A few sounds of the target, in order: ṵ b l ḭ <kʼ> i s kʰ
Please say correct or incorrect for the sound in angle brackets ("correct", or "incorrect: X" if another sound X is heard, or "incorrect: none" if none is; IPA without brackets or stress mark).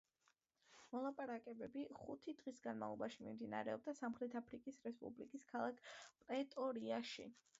correct